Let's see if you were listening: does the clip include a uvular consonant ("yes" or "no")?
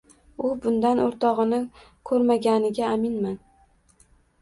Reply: yes